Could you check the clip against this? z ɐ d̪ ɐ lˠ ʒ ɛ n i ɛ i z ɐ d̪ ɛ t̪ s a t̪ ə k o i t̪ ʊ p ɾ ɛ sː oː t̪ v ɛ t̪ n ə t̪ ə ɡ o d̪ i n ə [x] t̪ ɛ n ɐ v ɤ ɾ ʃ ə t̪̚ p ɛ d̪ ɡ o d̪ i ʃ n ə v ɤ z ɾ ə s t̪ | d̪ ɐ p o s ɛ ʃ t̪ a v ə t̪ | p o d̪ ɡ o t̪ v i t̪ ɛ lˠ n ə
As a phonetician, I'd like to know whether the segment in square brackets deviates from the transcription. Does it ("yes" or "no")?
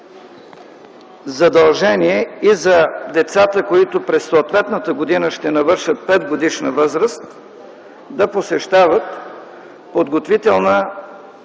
yes